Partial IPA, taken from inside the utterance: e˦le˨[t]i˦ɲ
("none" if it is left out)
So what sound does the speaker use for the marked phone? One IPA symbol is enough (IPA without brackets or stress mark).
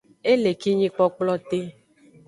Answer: k